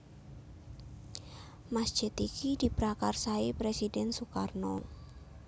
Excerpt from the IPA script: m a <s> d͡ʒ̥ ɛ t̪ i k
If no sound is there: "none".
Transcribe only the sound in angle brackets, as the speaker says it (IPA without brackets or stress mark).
s